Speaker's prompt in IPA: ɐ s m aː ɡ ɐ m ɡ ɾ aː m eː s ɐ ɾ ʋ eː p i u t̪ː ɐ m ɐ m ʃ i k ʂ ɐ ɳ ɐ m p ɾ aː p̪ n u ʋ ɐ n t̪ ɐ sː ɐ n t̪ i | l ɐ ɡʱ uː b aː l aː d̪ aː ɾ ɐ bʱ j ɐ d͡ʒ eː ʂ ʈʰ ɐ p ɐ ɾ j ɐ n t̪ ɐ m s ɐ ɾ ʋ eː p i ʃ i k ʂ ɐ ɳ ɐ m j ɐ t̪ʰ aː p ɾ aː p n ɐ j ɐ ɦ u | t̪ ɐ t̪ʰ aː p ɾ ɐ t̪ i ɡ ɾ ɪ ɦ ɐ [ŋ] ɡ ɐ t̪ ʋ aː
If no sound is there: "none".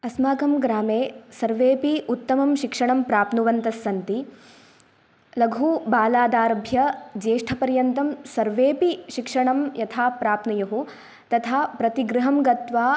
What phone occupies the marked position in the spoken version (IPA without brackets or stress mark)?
m